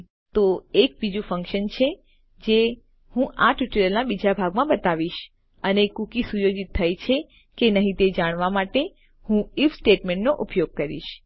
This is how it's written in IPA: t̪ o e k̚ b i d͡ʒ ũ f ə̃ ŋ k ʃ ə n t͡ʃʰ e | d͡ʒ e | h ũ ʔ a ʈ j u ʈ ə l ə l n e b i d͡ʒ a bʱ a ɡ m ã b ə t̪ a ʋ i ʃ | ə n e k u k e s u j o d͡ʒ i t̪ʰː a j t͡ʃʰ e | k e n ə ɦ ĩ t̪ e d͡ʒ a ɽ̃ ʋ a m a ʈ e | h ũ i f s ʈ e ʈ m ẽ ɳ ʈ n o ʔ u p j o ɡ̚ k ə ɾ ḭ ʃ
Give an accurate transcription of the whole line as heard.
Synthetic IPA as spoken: t̪ o e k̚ b i d͡ʒ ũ f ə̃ ŋ k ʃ ə n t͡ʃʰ e | d͡ʒ e | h ũ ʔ a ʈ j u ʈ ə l ə l n a b i d͡ʒ a bʱ a ɡ m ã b ə t̪ a ʋ i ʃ | ə n e k u k i s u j o d͡ʒ i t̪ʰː a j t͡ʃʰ e | k e n ə ɦ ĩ t̪ e d͡ʒ a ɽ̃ ʋ a m a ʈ e | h ũ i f s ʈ e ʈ m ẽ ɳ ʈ n o ʔ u p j o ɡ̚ k ə ɾ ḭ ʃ

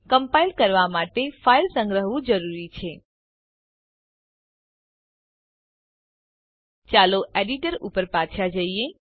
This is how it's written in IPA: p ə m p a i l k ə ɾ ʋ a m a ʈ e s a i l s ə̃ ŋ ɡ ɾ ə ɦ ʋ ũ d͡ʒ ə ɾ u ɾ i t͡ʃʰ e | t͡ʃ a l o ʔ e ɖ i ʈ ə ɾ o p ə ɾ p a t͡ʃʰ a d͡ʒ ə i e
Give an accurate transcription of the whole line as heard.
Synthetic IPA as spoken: k ə m p a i l k ə ɾ ʋ a m a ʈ e f a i l s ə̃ ŋ ɡ ɾ ə ɦ ʋ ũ d͡ʒ ə ɾ u ɾ i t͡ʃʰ e | t͡ʃ a l o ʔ e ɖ i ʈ ə ɾ u p ə ɾ p a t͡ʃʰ a d͡ʒ ə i e

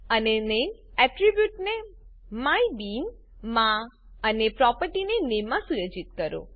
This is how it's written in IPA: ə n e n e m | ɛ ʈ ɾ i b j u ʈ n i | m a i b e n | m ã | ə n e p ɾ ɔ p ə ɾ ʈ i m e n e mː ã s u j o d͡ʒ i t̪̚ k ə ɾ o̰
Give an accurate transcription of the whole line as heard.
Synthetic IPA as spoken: ə n e n e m | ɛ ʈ ɾ i b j u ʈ n e | m a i b i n | m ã | ə n e p ɾ ɔ p ə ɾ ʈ i n e n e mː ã s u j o d͡ʒ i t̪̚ k ə ɾ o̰

